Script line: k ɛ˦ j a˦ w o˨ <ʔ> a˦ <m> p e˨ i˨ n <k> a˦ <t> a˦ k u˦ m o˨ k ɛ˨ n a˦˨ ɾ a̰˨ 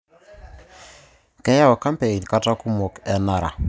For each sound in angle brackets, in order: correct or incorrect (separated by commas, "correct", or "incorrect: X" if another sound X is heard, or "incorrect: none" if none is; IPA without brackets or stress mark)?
incorrect: k, correct, correct, correct